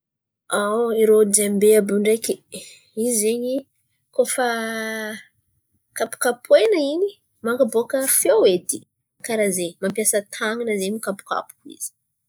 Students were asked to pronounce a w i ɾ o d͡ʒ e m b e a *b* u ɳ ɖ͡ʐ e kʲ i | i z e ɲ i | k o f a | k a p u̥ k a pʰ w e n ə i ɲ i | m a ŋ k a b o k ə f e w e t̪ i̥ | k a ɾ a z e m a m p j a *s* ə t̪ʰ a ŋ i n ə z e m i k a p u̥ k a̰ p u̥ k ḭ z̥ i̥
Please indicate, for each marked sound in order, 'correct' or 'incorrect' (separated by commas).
correct, correct